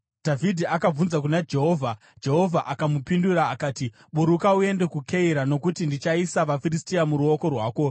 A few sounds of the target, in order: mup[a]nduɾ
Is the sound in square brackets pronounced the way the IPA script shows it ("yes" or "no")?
no